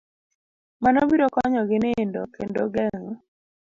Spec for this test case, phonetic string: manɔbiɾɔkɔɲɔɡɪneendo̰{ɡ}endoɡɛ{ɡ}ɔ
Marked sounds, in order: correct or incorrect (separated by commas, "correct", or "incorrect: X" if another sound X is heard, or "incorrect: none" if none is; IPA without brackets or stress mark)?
incorrect: k, incorrect: ŋ